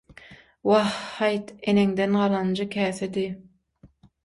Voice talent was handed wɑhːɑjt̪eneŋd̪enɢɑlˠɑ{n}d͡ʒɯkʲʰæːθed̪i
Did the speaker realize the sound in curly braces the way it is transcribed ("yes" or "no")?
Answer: yes